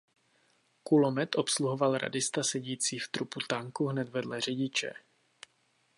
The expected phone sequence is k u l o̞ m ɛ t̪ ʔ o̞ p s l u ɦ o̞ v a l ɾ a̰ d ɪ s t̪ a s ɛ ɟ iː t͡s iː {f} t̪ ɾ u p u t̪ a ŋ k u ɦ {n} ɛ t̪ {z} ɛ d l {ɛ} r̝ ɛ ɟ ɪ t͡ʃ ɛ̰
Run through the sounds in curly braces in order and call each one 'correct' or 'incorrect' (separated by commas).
correct, correct, incorrect, correct